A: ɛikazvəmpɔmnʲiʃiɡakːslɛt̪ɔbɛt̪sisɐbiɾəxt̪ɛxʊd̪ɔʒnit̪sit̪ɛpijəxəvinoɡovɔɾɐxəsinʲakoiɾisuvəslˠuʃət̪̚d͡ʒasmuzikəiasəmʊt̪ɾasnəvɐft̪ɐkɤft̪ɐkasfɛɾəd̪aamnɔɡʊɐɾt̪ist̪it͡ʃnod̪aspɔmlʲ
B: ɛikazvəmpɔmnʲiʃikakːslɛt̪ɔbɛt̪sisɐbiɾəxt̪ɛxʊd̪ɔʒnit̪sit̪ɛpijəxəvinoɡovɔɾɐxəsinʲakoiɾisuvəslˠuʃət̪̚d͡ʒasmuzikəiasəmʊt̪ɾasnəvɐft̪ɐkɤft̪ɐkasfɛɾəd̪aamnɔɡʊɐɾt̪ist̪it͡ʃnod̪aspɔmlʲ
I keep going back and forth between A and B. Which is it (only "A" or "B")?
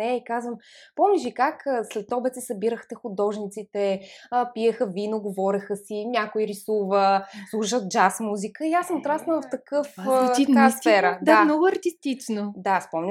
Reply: B